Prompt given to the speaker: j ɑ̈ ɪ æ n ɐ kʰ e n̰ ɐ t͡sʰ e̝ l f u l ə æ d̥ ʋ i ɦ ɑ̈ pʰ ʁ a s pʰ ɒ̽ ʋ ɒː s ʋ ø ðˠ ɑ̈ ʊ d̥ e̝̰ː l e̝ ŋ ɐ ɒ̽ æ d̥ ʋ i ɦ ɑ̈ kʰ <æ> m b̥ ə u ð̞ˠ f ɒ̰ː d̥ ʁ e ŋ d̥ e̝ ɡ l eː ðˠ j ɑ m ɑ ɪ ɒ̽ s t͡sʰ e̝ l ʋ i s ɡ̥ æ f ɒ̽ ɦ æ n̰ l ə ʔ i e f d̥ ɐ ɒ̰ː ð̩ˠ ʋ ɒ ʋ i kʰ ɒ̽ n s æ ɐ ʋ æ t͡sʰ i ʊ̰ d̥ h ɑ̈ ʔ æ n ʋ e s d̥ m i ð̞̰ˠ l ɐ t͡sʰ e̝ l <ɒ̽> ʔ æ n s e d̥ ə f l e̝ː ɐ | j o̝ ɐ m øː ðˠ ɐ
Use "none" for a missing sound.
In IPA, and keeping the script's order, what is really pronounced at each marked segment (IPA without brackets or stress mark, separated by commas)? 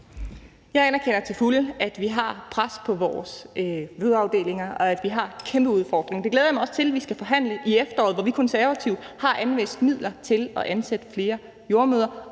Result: e, ɒ̽